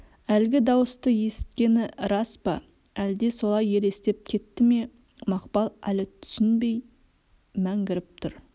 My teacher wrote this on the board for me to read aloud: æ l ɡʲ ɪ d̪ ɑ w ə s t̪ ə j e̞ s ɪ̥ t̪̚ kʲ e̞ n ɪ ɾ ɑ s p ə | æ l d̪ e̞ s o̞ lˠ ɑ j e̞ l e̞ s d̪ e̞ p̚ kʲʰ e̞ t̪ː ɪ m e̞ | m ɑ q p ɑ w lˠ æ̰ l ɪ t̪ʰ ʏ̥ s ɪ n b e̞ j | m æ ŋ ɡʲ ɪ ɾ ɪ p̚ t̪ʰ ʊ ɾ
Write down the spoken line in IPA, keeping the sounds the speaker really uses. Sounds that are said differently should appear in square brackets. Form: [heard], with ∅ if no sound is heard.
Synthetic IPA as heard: æ l ɡʲ ɪ d̪ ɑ w ə s t̪ ə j e̞ s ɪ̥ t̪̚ kʲ e̞ n ɪ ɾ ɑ s p [ɑ] | æ l d̪ e̞ s o̞ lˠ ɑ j e̞ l e̞ s [t̪] e̞ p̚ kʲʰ e̞ t̪ː ɪ m e̞ | m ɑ q p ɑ [∅] lˠ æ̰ l ɪ t̪ʰ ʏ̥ s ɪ n b e̞ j | m æ ŋ ɡʲ ɪ ɾ ɪ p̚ t̪ʰ ʊ ɾ